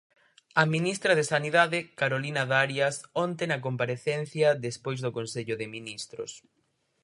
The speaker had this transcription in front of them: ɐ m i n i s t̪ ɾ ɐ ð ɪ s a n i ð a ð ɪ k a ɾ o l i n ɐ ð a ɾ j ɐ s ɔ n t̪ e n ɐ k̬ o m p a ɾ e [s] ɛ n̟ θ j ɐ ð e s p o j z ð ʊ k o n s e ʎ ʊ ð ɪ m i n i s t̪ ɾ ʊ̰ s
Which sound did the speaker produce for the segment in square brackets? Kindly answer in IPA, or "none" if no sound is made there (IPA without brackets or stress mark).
θ